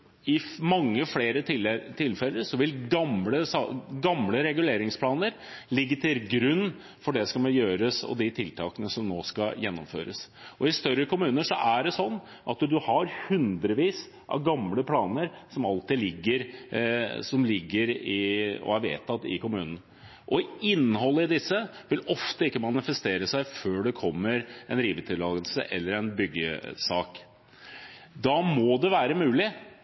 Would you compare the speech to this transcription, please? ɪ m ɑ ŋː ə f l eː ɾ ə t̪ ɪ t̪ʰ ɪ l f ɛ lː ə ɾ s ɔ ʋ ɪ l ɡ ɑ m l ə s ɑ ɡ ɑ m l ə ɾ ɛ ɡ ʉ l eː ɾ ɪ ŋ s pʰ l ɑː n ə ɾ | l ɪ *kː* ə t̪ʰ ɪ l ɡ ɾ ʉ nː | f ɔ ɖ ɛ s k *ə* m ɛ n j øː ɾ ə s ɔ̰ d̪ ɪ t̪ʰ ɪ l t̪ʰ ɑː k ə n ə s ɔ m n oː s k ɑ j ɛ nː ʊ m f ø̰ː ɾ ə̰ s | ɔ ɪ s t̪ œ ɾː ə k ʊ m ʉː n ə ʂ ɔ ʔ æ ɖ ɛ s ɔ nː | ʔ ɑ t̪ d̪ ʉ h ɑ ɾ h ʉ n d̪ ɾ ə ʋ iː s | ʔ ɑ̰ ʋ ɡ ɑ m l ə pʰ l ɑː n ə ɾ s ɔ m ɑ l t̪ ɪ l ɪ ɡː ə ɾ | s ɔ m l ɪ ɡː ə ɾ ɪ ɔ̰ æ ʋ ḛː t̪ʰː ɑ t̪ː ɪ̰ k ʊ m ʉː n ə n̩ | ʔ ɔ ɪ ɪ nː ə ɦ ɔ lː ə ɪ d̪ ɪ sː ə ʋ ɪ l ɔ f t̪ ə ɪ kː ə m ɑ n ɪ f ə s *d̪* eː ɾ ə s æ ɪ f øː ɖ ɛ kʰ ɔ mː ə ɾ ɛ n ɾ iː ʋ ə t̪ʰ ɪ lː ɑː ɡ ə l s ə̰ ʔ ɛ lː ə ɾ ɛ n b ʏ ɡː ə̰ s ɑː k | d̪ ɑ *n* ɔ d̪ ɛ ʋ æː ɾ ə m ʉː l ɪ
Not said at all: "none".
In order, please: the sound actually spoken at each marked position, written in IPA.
ɡː, ɑ, t̪, m

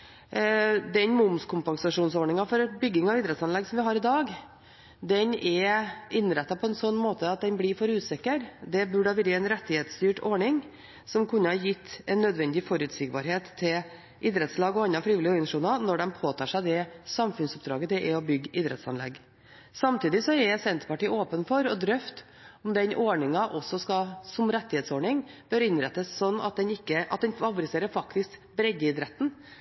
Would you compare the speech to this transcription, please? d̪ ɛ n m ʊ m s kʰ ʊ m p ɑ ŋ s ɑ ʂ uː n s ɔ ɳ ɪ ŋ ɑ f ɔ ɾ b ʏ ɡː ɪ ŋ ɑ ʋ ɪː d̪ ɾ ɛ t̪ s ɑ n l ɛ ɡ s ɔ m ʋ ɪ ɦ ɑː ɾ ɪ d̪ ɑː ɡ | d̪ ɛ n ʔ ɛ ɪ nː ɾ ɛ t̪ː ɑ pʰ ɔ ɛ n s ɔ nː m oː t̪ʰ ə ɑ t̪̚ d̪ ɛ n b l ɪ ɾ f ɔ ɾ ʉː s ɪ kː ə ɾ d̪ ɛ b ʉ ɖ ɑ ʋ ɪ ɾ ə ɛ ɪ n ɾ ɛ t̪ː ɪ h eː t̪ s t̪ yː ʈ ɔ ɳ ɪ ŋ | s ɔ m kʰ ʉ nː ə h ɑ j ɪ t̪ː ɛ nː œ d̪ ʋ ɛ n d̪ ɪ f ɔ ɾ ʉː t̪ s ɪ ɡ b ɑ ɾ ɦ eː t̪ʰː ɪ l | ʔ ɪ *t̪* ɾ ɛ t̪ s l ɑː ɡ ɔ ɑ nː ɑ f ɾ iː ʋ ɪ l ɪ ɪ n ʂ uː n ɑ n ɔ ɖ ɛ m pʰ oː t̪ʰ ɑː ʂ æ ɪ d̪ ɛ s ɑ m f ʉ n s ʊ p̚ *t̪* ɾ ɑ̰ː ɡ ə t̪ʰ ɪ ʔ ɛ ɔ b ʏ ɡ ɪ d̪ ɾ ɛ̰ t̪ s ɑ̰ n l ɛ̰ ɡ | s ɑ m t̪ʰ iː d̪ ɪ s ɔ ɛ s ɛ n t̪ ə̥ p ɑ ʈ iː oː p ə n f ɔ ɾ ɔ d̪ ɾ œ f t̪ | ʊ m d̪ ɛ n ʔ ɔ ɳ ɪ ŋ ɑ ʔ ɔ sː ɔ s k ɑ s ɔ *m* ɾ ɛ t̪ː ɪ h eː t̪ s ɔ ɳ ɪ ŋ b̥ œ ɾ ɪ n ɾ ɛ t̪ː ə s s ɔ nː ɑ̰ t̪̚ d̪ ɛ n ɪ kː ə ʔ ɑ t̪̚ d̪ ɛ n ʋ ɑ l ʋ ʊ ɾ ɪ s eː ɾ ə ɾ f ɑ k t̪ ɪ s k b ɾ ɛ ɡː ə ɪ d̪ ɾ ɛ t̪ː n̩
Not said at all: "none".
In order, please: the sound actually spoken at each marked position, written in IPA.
d̪, d̪, m

